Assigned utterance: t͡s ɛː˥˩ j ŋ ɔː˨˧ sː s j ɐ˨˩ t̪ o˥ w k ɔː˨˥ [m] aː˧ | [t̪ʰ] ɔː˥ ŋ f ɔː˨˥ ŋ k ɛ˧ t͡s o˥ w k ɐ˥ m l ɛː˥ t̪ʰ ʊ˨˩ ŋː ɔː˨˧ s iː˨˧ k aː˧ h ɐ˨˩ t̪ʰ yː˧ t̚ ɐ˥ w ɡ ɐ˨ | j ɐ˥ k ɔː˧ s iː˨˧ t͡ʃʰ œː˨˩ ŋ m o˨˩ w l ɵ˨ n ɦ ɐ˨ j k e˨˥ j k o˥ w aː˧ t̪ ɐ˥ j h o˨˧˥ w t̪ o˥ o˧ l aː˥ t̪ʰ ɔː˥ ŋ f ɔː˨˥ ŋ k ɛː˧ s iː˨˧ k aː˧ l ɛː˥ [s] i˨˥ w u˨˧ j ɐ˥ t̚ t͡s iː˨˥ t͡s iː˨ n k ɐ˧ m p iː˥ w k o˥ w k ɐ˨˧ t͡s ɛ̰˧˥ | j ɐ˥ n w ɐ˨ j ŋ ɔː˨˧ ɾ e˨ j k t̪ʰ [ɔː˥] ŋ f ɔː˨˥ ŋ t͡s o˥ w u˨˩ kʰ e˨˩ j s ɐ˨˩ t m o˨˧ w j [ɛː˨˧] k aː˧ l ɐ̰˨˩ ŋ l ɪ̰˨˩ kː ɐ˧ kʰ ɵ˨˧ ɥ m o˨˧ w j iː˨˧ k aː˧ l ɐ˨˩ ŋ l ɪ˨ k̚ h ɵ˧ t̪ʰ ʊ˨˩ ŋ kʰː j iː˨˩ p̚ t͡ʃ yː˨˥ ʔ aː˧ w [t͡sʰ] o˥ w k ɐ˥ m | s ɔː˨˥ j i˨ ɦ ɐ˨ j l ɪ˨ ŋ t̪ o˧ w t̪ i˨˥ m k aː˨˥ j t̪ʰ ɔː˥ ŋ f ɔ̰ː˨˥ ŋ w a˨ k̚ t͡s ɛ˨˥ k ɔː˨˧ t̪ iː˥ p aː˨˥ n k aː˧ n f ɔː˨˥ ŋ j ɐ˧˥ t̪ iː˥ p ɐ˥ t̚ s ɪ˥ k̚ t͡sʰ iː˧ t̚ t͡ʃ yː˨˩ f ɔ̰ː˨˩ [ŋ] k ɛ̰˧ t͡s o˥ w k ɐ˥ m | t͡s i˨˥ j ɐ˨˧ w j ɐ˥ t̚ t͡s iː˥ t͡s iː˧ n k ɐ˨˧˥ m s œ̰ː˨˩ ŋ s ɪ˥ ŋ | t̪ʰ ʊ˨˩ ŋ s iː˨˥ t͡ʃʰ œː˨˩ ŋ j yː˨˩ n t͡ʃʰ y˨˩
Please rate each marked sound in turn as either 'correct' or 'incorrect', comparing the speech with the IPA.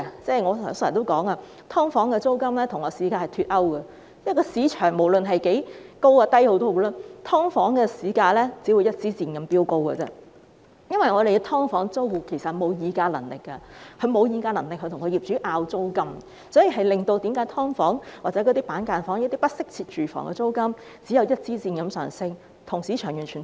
incorrect: ŋ, correct, incorrect: t͡s, correct, incorrect: iː˨˧, incorrect: t͡s, correct

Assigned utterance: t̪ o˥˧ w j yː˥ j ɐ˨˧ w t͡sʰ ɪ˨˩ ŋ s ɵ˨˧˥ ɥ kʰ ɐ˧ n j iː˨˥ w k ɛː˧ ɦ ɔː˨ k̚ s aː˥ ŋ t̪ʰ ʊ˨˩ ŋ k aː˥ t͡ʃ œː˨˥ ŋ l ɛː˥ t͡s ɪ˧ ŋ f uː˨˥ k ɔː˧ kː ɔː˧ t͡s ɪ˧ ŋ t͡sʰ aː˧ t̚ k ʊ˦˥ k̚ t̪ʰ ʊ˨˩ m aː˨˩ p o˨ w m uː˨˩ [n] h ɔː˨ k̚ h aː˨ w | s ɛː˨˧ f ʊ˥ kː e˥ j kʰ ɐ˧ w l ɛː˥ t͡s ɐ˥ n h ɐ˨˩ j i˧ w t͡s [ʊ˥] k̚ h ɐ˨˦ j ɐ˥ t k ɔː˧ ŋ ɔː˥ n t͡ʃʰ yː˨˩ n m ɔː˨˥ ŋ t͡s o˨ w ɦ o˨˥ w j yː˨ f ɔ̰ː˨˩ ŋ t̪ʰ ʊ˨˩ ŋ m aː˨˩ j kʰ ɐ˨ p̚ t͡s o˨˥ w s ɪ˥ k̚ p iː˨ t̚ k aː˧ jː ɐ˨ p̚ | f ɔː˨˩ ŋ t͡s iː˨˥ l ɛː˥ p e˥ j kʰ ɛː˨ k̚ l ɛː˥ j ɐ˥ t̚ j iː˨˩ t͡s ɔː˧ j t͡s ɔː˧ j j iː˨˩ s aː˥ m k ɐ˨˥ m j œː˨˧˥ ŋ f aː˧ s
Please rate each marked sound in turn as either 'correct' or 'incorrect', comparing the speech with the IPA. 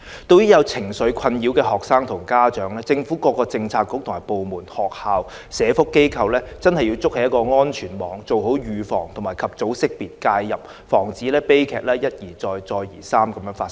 correct, correct

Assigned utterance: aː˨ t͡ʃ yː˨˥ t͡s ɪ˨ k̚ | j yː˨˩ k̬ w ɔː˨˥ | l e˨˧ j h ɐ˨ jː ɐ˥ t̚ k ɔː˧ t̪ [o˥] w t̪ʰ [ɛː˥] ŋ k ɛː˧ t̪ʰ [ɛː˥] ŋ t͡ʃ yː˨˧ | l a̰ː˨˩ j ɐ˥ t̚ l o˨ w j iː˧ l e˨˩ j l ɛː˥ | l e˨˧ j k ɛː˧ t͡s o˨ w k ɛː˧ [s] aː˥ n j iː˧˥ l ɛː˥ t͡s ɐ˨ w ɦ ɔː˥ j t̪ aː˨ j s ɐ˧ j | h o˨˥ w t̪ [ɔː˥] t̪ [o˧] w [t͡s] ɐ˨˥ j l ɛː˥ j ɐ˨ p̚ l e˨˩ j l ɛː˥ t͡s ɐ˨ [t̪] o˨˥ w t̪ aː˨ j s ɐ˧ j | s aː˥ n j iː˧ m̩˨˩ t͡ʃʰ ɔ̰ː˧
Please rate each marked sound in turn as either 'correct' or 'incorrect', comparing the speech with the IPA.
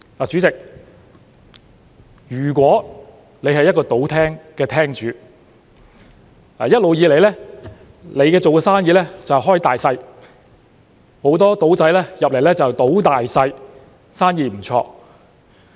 incorrect: o˨˥, correct, correct, correct, correct, incorrect: o˨˥, correct, correct

